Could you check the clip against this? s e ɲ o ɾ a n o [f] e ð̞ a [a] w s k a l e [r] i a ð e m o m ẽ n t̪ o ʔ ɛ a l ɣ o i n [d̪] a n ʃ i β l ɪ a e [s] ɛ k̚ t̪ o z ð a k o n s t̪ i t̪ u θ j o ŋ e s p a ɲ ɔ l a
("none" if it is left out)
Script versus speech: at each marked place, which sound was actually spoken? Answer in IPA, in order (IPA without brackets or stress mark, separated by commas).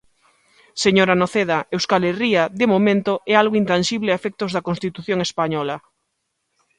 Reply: θ, e, r, t̪, f